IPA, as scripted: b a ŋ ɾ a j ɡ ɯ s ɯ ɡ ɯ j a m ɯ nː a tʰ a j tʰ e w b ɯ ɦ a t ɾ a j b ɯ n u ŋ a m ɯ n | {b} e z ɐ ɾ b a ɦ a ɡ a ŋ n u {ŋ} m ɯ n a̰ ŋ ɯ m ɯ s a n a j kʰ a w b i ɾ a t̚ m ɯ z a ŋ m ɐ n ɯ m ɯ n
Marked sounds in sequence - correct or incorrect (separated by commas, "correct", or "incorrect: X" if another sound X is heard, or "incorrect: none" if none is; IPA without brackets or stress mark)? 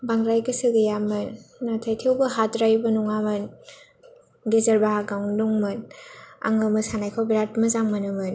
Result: incorrect: ɡ, correct